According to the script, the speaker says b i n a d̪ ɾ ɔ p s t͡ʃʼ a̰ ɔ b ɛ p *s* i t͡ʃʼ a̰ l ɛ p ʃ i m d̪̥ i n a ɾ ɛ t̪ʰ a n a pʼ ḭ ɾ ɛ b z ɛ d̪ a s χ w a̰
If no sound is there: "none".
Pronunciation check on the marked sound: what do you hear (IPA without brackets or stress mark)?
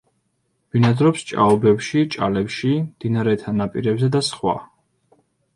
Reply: ʃ